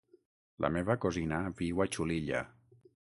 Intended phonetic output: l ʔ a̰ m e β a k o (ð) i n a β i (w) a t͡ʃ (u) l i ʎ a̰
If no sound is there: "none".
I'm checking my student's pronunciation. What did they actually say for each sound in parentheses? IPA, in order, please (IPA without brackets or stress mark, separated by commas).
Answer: z, w, u